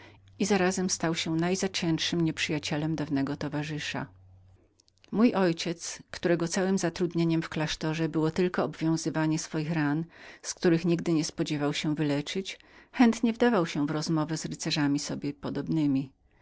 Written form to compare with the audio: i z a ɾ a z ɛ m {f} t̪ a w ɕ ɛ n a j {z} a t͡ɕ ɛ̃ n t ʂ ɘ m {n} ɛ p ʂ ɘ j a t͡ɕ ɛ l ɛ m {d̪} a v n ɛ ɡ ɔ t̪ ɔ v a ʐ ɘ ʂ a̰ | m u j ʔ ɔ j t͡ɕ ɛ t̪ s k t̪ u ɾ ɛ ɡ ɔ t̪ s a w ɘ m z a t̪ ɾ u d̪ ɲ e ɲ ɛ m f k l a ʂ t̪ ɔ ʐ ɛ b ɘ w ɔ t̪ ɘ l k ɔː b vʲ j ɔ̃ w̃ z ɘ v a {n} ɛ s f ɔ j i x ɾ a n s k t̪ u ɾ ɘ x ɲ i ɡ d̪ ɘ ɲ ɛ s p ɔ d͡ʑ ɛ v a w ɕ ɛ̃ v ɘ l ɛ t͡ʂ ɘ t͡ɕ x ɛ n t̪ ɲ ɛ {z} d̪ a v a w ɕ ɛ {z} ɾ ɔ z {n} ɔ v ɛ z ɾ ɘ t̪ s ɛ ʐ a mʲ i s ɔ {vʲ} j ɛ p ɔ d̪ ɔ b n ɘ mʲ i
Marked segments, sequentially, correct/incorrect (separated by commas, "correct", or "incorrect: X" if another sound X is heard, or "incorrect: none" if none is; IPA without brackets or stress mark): incorrect: s, correct, incorrect: ɲ, correct, incorrect: ɲ, incorrect: v, incorrect: v, incorrect: m, incorrect: bʲ